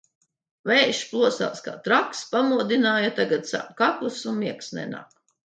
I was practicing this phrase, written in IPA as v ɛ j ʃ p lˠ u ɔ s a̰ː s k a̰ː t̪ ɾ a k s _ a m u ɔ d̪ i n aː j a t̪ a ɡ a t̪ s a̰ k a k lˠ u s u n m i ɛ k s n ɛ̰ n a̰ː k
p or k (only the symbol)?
p